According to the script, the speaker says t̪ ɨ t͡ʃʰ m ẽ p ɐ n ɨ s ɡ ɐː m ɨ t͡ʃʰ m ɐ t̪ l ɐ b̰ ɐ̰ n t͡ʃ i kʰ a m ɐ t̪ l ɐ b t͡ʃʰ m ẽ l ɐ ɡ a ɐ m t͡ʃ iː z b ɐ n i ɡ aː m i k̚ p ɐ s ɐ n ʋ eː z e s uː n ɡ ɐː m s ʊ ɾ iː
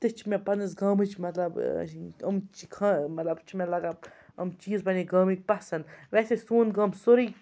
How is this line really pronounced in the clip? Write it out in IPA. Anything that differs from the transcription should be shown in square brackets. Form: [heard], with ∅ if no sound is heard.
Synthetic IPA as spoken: t̪ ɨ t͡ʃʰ m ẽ p ɐ n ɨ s ɡ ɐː m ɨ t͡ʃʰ m ɐ t̪ l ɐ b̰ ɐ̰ [m] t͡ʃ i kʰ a m ɐ t̪ l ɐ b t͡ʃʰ m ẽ l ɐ ɡ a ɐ m t͡ʃ iː z b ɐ n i ɡ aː m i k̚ p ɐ s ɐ n ʋ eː [s] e s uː n ɡ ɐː m s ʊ ɾ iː